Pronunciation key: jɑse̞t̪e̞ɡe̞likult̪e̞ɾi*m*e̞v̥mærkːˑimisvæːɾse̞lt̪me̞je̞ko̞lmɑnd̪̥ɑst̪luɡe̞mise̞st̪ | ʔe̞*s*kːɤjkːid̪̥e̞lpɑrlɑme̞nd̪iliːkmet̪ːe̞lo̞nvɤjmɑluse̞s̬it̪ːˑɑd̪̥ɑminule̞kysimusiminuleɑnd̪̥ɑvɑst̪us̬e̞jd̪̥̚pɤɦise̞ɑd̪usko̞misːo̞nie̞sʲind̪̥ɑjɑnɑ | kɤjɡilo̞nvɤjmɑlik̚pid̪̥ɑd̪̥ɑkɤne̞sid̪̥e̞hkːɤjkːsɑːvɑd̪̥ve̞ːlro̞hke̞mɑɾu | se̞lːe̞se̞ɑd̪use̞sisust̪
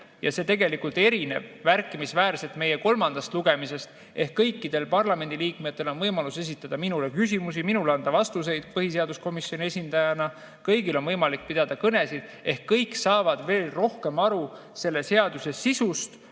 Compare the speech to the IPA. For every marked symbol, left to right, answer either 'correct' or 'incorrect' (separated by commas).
incorrect, incorrect